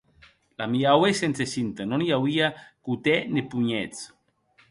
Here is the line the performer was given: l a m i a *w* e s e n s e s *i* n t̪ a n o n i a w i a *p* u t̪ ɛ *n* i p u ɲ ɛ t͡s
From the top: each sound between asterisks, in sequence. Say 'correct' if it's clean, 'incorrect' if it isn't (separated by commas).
correct, correct, incorrect, correct